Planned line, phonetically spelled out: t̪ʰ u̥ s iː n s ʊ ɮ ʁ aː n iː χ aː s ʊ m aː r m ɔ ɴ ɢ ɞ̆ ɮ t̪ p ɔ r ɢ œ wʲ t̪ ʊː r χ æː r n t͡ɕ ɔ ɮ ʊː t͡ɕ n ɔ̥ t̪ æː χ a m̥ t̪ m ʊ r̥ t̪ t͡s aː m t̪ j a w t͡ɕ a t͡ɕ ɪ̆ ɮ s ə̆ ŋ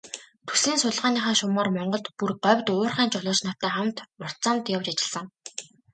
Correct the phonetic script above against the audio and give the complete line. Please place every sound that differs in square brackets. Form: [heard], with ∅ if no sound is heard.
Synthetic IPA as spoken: t̪ʰ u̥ s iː n s ʊ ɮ ʁ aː n iː χ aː [ʃ] ʊ m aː r m ɔ ɴ ɢ ɞ̆ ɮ t̪ p [u] r ɢ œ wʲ t̪ ʊː r χ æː [∅] n t͡ɕ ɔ ɮ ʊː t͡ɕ n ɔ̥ t̪ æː χ a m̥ t̪ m ʊ r̥ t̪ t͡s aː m t̪ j a w t͡ɕ a t͡ɕ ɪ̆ ɮ s ə̆ ŋ